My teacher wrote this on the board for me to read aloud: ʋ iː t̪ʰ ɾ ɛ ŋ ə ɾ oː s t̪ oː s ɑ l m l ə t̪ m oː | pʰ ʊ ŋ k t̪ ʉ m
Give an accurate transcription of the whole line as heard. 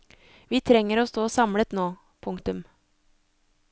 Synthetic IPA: ʋ iː t̪ʰ ɾ ɛ ŋ ə ɾ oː s t̪ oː s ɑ m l ə t̪ n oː | pʰ ʊ ŋ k t̪ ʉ m